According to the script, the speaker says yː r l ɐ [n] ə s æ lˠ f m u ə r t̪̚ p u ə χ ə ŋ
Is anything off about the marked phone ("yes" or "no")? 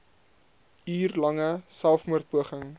yes